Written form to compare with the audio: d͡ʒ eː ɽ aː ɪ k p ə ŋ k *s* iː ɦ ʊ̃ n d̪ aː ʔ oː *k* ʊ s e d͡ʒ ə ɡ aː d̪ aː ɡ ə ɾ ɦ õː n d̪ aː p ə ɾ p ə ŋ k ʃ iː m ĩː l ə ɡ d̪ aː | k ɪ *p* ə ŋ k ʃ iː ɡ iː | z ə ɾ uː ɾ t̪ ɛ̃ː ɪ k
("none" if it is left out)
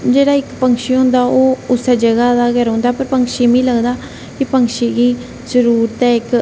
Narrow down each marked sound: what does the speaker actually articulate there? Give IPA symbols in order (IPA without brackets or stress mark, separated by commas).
ʃ, none, p